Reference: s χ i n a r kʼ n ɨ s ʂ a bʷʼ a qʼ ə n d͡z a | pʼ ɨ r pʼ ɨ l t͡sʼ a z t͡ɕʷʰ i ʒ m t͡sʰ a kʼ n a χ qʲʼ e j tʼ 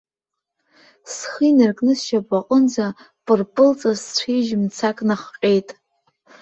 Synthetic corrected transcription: s χ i n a r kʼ n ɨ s ʃ a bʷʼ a qʼ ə n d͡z a | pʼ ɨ r pʼ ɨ l t͡sʼ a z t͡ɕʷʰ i ʒ m t͡sʰ a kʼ n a χ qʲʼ e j tʼ

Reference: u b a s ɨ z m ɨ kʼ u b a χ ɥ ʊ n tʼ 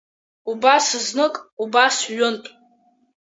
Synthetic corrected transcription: u b a s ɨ z n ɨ kʼ u b a s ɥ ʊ n tʼ

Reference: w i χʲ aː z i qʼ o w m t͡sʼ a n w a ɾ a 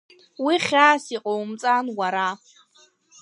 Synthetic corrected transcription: w i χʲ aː s i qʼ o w m t͡sʼ a n w a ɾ a

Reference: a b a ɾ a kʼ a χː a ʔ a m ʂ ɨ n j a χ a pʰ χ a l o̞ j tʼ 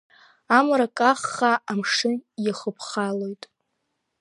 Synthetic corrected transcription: a m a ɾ a kʼ a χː a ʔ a m ʂ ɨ n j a χ ə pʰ χ a l o̞ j tʼ

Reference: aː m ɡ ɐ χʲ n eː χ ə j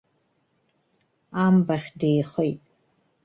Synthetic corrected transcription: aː m b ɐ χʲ d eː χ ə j

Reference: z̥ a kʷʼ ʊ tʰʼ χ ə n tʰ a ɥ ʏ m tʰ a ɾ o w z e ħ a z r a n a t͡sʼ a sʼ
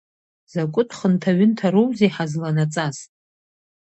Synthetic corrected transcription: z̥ a kʷʼ ʊ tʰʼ χ ə n tʰ a ɥ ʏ n tʰ a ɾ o w z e ħ a z l a n a t͡sʼ a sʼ

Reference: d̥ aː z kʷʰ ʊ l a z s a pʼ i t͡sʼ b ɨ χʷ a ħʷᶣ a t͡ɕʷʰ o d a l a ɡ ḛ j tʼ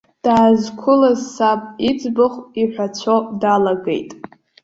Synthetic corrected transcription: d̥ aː z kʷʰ ʊ l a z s a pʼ i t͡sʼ b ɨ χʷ i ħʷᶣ a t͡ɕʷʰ o d a l a ɡ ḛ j tʼ

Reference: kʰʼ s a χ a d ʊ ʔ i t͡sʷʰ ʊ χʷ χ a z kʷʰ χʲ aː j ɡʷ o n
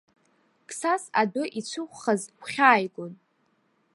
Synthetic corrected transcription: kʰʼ s a s a d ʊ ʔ i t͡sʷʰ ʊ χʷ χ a z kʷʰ χʲ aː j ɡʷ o n

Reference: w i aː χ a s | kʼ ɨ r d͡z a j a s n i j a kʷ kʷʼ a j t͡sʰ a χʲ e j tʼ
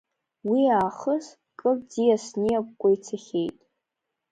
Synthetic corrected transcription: w i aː χ ə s | kʼ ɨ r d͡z i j a s n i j a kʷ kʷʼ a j t͡sʰ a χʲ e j tʼ

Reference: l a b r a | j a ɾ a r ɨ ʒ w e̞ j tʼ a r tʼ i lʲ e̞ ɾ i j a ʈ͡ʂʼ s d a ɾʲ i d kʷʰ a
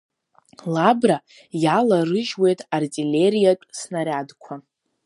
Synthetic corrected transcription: l a b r a | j a l a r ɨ ʒ w e̞ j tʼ a r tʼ i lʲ e̞ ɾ i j a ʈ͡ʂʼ s n a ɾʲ a d kʷʰ a

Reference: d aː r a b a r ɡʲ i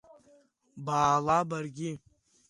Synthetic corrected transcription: b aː l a b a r ɡʲ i

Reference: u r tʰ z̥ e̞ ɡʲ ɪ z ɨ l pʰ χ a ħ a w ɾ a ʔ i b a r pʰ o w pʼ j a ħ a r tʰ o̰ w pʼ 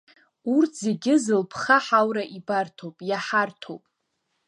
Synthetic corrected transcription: u r tʰ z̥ e̞ ɡʲ ɪ z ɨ l pʰ χ a ħ a w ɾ a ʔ i b a r tʰ o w pʼ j a ħ a r tʰ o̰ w pʼ

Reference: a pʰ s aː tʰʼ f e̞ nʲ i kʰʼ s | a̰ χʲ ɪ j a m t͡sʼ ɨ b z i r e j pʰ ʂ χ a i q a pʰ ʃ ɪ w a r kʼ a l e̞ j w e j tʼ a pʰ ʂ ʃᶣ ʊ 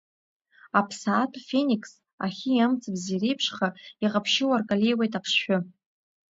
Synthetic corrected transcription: a pʰ s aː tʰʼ f e̞ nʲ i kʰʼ s | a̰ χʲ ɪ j a m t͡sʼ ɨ b z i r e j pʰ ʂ χ a i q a pʰ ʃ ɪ w a r kʼ a l e̞ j w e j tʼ a pʰ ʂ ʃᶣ ʊ

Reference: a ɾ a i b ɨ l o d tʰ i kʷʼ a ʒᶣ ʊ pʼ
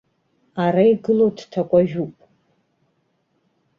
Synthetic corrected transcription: a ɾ a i ɡ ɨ l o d tʰ a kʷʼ a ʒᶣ u pʼ

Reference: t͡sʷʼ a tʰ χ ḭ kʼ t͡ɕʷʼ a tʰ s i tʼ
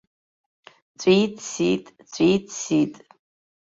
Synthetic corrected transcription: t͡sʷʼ i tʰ s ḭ tʼ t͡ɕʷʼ i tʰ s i tʼ

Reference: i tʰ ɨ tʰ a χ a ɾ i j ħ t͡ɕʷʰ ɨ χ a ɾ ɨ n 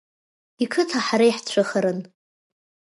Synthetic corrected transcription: i kʰ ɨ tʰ a ħ a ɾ a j ħ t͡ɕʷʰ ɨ χ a ɾ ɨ n

